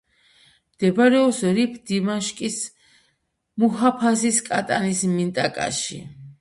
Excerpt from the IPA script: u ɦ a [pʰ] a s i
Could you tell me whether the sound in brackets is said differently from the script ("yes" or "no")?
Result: no